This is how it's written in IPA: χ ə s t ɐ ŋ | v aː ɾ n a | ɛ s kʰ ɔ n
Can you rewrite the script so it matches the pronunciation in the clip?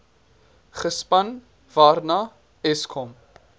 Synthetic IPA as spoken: χ ə s p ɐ n | v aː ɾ n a | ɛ s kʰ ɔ m